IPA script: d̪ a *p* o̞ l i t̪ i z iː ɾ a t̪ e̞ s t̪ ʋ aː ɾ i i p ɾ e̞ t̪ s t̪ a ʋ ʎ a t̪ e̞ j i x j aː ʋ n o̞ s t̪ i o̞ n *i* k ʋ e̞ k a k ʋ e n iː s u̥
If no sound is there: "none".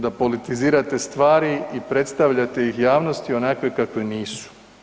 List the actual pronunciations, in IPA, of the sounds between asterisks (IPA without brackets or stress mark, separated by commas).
p, a